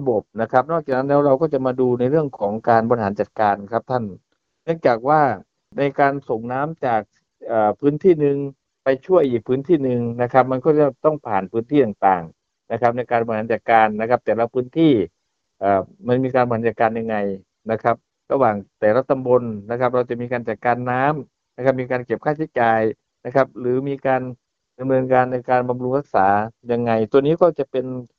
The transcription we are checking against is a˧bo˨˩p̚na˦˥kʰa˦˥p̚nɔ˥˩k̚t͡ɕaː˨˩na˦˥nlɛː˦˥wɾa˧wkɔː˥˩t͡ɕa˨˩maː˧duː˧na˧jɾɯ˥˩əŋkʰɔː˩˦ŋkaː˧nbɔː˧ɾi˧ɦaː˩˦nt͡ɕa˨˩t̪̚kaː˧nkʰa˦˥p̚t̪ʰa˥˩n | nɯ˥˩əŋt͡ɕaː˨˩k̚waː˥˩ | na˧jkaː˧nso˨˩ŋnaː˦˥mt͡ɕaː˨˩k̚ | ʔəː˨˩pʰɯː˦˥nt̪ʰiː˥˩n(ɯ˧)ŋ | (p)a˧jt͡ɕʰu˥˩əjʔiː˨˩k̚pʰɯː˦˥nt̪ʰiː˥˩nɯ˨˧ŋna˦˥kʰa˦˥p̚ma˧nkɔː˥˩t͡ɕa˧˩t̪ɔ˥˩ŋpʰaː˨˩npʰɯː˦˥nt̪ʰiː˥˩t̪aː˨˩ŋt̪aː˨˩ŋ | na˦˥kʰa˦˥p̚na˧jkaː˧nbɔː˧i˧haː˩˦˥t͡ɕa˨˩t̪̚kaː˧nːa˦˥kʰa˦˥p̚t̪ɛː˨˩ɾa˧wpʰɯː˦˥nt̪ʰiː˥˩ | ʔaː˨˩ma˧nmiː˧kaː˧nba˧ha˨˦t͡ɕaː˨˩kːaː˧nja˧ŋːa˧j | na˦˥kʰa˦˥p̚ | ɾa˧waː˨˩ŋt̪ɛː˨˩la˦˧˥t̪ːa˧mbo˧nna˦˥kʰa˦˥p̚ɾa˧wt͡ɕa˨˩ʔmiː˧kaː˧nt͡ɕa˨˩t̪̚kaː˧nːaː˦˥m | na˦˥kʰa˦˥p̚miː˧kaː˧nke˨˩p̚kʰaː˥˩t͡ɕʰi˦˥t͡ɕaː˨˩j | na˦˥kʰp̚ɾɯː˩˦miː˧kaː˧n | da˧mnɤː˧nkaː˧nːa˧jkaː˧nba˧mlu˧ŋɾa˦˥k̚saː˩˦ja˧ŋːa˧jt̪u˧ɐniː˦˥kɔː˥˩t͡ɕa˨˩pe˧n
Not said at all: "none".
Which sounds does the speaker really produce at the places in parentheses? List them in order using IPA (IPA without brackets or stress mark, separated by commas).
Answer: ɯ˧, p